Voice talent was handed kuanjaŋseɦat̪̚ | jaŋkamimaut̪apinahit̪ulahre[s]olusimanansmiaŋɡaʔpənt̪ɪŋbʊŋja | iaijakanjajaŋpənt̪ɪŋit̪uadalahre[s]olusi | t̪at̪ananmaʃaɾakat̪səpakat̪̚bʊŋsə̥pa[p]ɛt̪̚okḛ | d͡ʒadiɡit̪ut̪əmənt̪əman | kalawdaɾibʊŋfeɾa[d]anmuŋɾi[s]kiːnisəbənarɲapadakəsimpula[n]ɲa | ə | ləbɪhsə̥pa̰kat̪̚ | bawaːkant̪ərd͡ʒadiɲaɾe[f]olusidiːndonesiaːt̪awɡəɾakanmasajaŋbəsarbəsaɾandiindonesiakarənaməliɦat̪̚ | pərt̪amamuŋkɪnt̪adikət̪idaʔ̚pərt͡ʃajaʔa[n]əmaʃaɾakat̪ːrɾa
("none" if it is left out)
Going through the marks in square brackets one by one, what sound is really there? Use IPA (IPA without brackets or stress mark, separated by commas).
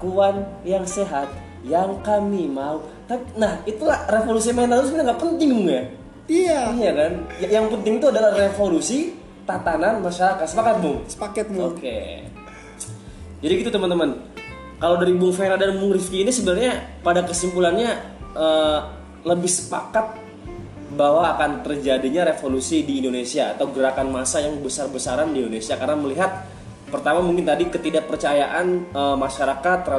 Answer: f, f, k, d, f, n, f, n